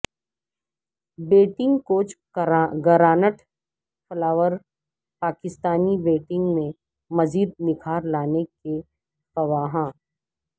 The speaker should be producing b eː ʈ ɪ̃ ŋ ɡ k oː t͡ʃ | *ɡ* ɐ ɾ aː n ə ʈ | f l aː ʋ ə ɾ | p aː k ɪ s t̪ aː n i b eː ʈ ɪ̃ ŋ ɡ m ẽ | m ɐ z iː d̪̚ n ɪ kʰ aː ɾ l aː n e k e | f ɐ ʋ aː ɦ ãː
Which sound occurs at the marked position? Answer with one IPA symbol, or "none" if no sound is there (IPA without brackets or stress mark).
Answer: ɡ